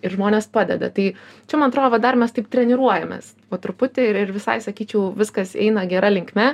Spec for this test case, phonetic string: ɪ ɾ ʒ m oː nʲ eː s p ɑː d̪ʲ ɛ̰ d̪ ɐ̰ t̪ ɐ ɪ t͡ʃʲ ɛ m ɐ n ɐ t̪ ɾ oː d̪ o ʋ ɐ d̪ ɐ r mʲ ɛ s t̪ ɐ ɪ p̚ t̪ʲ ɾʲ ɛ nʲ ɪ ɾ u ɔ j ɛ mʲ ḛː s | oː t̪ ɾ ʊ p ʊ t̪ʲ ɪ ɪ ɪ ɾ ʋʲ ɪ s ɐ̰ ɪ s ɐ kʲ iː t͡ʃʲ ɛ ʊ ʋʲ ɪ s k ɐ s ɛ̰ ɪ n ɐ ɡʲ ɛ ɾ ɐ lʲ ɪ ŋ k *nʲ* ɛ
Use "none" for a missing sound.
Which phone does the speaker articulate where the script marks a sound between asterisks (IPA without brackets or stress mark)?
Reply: mʲ